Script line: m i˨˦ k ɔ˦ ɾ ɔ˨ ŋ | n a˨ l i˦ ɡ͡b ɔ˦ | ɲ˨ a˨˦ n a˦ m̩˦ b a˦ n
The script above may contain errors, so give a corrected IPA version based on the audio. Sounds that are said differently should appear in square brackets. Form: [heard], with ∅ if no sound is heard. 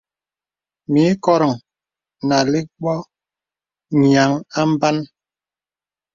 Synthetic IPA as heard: m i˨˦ k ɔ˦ ɾ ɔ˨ ŋ | n a˨ l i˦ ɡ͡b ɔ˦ | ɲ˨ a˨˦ [ŋ] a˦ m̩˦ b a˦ n